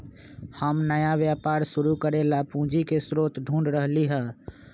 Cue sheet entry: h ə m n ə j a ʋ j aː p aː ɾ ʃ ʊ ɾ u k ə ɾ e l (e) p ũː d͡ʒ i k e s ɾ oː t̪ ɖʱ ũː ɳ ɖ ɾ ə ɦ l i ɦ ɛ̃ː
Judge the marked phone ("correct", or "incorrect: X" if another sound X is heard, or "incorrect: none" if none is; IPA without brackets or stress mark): incorrect: a